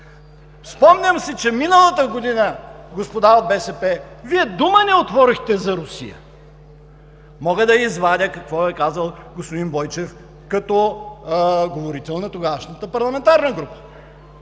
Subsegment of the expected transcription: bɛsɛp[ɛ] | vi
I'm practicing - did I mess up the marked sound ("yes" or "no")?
no